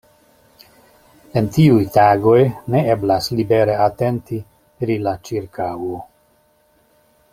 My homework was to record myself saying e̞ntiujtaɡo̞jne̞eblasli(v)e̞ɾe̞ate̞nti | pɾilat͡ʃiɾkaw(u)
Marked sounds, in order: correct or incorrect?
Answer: incorrect: b, incorrect: o

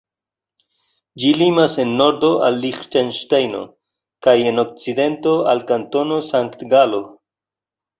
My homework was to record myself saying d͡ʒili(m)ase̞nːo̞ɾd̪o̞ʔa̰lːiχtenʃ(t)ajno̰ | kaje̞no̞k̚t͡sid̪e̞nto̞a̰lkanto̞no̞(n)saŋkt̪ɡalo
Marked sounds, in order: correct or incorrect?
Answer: correct, correct, incorrect: none

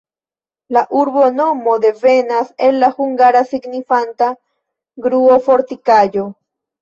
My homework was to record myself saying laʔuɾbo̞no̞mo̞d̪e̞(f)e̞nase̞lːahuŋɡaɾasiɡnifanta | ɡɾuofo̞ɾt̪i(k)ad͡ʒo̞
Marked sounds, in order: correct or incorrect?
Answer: incorrect: v, correct

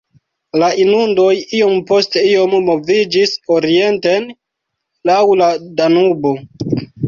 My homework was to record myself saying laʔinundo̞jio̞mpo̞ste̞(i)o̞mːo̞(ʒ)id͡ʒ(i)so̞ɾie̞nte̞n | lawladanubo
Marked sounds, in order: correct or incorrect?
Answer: correct, incorrect: v, correct

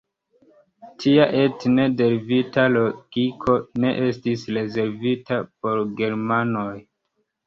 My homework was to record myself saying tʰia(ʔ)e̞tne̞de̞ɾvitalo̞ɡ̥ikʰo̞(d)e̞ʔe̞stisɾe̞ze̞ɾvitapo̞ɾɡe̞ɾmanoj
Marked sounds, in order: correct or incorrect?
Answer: correct, incorrect: n

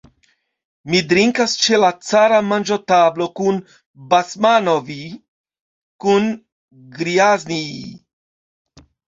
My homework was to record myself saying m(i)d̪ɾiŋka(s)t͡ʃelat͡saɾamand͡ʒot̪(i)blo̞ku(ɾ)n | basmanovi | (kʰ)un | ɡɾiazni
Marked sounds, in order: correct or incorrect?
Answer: correct, correct, incorrect: a, incorrect: none, incorrect: k

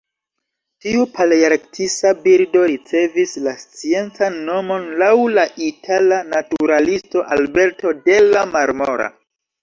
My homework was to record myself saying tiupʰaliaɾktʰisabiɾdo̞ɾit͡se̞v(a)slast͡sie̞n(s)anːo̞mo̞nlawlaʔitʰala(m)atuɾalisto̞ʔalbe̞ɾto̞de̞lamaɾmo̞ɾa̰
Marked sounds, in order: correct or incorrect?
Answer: incorrect: i, incorrect: t͡s, incorrect: n

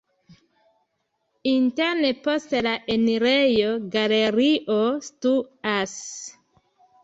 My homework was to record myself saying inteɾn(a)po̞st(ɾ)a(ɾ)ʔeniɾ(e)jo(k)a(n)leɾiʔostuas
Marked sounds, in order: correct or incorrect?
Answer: incorrect: e, incorrect: l, incorrect: none, correct, incorrect: ɡ, incorrect: none

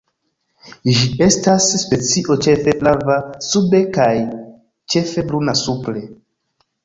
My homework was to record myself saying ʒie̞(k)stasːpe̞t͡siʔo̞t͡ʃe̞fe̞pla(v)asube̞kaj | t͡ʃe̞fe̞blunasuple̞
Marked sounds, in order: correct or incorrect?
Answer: incorrect: none, correct

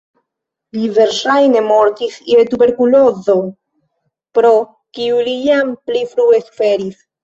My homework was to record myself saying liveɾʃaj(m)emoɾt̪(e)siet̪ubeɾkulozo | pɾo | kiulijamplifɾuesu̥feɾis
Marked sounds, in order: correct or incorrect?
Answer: incorrect: n, incorrect: i

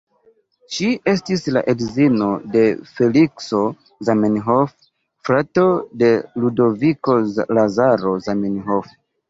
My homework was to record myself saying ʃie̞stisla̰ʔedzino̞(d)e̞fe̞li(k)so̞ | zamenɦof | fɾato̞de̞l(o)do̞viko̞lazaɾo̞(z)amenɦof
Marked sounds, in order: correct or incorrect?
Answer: correct, correct, incorrect: u, correct

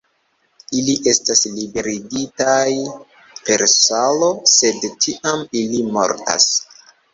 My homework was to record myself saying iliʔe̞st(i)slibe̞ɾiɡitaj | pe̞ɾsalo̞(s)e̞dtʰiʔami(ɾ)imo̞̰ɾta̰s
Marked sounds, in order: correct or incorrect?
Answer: incorrect: a, correct, incorrect: l

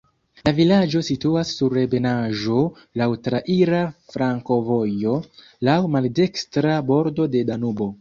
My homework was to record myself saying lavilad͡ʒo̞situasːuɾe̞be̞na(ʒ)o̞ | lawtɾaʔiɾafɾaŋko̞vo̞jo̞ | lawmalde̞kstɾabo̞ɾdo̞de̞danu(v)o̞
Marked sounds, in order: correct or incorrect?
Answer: correct, incorrect: b

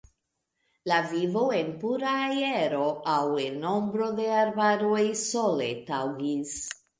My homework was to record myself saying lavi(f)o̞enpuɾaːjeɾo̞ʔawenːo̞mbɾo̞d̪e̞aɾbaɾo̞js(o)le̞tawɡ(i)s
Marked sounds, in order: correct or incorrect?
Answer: incorrect: v, correct, correct

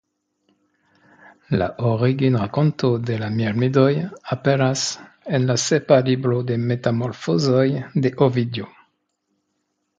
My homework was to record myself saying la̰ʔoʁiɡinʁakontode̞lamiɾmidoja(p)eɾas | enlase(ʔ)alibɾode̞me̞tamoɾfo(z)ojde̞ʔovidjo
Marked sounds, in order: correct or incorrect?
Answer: correct, incorrect: p, correct

